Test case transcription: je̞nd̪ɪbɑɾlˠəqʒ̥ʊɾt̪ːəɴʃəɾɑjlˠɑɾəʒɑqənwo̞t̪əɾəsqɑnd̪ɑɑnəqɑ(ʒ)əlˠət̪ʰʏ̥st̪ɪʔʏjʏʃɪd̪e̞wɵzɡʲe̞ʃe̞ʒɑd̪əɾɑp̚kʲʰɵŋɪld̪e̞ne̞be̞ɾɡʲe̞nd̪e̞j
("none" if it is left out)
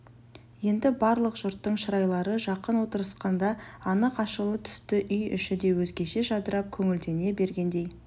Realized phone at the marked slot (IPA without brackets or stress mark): ʃ